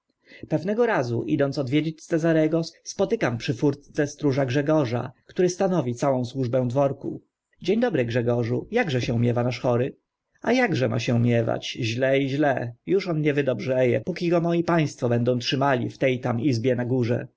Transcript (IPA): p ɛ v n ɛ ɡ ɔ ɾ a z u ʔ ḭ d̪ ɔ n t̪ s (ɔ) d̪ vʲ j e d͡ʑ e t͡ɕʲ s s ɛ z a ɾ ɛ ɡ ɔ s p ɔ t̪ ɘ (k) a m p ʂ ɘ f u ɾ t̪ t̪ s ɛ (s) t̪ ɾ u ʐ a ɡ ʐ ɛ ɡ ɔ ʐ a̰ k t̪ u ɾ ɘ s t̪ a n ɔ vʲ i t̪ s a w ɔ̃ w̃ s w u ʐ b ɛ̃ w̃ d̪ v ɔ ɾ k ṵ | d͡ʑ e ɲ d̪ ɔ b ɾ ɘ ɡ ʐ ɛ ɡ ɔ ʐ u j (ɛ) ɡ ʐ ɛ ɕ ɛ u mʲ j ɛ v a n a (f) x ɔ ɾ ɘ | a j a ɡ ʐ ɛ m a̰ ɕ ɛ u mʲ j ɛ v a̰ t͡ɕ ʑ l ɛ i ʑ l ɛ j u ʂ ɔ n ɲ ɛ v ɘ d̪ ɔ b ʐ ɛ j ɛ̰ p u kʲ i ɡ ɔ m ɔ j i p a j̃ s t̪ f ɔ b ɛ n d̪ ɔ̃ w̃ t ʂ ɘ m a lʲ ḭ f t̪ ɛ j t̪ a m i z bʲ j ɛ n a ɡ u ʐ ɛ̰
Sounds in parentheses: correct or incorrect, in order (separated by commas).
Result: correct, correct, correct, incorrect, incorrect